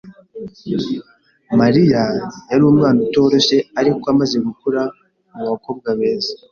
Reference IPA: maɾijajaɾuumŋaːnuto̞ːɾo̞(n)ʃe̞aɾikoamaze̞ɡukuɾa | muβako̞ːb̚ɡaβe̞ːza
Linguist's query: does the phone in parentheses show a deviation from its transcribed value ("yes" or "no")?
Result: yes